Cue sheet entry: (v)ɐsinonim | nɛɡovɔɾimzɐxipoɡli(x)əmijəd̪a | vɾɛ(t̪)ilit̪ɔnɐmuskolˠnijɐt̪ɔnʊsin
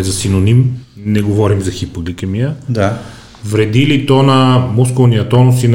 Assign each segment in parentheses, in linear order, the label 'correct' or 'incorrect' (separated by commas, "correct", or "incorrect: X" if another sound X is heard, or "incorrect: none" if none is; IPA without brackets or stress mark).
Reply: incorrect: z, incorrect: k, incorrect: d̪